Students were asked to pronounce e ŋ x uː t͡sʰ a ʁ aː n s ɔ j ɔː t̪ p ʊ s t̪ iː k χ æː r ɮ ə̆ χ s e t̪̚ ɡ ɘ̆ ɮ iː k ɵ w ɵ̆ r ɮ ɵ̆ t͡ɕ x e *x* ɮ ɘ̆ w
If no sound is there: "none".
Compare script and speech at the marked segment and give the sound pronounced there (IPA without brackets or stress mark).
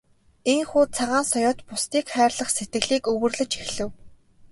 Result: x